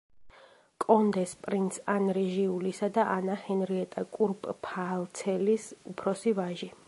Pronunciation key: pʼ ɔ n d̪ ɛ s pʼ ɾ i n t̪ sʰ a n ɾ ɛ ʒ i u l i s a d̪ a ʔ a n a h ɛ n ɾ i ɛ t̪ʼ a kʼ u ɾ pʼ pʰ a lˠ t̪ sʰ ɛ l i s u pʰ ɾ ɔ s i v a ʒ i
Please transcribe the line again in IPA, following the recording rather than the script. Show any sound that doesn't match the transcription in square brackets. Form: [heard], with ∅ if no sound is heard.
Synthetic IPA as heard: [kʼ] ɔ n d̪ ɛ s pʼ ɾ i n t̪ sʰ a n ɾ ɛ ʒ i u l i s a d̪ a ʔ a n a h ɛ n ɾ i ɛ t̪ʼ a kʼ u ɾ pʼ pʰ a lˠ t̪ sʰ ɛ l i s u pʰ ɾ ɔ s i v a ʒ i